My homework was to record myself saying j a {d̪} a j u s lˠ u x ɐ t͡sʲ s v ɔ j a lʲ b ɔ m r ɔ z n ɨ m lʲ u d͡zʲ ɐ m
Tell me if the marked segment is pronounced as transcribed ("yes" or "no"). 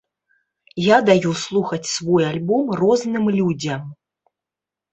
yes